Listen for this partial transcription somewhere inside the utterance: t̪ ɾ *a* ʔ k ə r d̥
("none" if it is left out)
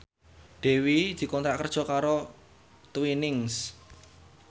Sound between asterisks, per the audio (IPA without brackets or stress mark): a